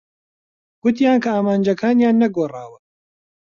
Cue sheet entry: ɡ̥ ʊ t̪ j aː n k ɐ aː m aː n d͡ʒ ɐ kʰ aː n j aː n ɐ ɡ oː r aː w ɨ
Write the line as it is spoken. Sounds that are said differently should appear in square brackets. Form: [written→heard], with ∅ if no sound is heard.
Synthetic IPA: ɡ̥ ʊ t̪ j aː n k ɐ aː m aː n d͡ʒ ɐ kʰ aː n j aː [n→nː] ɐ ɡ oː r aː w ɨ